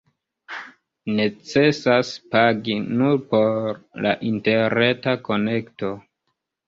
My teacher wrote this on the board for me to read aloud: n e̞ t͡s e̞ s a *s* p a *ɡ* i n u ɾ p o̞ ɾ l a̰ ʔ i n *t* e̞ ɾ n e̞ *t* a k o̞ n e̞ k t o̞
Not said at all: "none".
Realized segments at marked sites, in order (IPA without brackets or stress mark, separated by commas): s, ɡ, t, t